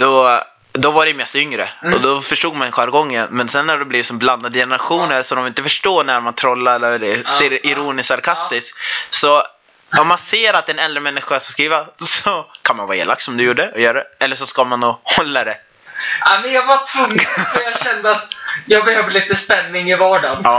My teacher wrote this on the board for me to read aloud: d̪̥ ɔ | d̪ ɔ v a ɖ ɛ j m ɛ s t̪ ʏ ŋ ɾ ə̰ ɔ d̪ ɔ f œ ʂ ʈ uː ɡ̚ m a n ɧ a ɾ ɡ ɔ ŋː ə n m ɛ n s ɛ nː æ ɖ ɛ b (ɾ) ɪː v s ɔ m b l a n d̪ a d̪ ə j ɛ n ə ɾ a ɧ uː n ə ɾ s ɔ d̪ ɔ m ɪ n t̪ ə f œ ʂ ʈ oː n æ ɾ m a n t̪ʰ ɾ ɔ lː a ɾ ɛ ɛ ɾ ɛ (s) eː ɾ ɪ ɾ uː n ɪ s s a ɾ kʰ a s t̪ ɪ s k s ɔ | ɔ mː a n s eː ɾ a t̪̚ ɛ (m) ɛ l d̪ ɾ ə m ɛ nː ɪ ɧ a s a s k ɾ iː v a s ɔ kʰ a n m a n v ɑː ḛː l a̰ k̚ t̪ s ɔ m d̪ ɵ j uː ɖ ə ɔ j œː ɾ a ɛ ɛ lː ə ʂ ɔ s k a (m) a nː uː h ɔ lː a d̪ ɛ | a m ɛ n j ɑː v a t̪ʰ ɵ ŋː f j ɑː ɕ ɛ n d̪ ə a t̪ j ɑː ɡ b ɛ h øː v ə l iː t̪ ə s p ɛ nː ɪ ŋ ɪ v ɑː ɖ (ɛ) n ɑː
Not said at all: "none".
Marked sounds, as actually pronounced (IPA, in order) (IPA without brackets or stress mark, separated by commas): l, s, n, m, a